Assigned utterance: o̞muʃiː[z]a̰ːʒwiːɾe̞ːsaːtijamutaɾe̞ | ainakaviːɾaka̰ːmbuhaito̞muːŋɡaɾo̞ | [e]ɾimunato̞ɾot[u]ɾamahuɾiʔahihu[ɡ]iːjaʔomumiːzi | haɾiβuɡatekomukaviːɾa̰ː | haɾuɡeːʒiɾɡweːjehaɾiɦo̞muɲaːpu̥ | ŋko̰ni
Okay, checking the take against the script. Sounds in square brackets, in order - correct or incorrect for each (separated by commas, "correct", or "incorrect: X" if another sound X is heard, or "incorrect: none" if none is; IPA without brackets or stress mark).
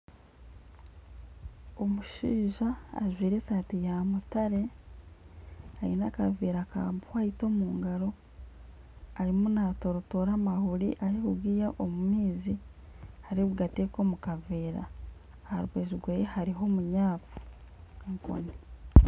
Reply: incorrect: ʒ, incorrect: a, incorrect: o, correct